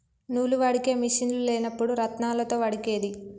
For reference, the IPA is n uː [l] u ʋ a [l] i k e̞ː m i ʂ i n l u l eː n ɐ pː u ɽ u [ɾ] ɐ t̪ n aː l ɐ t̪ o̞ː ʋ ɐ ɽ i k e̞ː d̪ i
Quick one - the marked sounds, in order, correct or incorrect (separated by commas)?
correct, incorrect, correct